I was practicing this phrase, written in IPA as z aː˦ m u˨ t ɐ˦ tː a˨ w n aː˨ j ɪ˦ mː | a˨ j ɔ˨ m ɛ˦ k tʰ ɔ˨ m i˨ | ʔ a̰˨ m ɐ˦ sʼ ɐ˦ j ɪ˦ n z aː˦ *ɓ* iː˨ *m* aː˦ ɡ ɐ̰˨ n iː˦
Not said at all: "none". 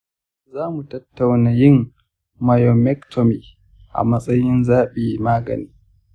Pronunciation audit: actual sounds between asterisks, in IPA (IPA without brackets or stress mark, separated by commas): ɓ, m